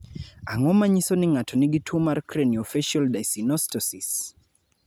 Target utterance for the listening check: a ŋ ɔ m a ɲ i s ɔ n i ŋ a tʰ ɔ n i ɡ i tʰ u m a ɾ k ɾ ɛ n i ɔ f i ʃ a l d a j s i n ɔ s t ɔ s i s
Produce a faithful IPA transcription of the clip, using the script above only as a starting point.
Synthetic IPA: a ŋ ɔ m a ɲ i s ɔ n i ŋ a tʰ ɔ n i ɡ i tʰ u m a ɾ k ɾ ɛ n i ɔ f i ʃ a l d a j s i n ɔ s t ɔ s i s